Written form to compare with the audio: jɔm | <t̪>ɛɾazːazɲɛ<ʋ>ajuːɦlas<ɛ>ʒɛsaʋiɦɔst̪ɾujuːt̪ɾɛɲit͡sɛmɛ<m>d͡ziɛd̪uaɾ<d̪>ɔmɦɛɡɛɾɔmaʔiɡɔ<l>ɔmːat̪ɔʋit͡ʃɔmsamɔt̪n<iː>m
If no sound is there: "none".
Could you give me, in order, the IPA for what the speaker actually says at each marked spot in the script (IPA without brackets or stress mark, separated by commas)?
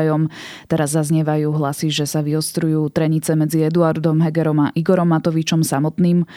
t̪, ʋ, i, none, d̪, ɾ, iː